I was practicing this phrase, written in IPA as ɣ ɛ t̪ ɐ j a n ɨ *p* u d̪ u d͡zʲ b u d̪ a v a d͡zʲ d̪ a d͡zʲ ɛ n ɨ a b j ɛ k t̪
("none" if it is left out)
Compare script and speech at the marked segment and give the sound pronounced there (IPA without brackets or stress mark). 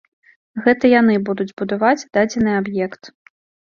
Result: b